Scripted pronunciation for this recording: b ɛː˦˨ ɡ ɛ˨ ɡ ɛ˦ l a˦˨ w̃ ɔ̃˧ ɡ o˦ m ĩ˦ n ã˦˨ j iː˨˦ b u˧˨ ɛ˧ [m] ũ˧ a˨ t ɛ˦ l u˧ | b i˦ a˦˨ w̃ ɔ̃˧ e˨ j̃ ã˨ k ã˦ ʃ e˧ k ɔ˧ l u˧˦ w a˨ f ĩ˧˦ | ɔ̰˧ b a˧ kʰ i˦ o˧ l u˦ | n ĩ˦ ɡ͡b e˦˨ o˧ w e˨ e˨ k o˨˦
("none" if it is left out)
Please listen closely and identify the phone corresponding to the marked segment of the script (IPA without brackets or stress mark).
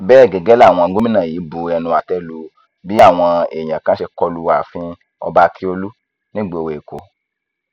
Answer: n